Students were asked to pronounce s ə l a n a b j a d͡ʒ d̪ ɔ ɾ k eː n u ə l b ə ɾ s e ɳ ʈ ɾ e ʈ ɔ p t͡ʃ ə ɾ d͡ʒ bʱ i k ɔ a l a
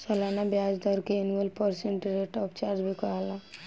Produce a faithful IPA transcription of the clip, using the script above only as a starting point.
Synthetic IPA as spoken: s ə l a n a b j a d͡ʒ d̪ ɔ ɾ k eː n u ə l p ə ɾ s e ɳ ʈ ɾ e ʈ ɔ p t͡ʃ a ɾ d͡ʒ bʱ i k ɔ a l a